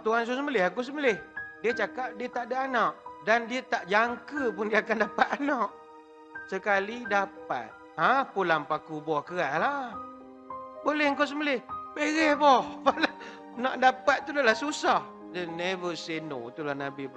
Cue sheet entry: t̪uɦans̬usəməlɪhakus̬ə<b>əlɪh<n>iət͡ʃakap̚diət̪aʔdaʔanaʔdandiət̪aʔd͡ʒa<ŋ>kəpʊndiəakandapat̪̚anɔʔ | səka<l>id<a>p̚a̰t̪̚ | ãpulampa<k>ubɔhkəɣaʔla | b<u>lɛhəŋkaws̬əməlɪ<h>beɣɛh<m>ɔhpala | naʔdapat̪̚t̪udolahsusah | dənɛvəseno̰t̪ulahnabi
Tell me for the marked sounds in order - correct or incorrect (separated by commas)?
incorrect, incorrect, correct, correct, correct, correct, incorrect, correct, incorrect